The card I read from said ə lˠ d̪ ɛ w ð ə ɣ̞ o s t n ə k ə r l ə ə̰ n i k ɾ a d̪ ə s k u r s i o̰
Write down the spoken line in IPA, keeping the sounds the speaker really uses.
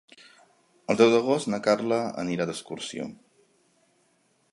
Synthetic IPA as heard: ə lˠ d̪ ɛ w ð ə ɣ̞ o s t n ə k a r l ə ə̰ n i ɾ a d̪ ə s k u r s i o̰